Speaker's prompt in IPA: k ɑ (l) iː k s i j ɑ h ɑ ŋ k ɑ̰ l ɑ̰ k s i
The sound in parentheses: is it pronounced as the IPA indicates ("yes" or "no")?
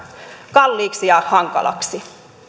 no